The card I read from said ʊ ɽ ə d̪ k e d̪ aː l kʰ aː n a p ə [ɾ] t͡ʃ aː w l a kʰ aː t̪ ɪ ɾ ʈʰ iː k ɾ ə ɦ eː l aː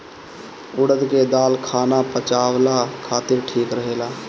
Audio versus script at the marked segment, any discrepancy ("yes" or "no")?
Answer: yes